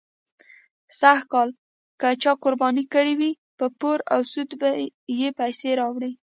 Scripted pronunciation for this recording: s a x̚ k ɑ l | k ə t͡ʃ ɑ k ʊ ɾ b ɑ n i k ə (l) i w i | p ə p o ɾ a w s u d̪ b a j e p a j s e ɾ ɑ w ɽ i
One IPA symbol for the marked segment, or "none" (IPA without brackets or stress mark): ɽ